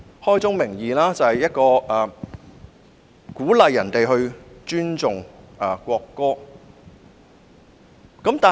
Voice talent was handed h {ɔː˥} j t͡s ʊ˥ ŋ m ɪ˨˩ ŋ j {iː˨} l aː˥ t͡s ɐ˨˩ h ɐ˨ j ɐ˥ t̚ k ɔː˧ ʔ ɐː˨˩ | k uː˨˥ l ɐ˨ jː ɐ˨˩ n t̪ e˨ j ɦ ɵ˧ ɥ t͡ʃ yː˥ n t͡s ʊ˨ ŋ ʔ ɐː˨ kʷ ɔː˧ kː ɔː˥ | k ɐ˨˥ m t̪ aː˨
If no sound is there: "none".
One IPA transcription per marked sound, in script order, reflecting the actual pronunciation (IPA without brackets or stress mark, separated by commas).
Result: ɔː˥, iː˨